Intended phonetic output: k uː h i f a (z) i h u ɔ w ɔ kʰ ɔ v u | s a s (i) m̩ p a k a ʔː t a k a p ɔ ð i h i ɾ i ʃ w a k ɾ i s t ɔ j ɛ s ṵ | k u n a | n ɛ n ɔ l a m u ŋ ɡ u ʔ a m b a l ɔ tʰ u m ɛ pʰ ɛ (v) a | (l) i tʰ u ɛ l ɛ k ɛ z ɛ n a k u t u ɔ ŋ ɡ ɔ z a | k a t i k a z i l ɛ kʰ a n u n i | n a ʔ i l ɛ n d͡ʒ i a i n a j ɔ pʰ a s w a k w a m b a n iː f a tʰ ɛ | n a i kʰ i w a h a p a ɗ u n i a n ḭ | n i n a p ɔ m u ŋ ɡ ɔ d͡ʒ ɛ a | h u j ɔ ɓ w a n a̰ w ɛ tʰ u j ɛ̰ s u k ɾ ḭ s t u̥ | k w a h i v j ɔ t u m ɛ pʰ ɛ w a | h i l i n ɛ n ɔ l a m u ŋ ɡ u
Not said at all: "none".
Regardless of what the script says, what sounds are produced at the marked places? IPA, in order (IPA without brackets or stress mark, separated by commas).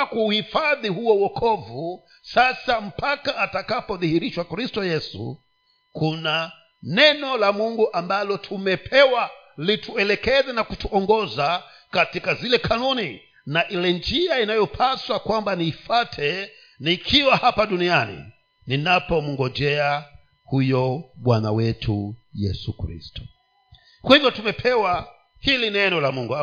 ð, a, w, l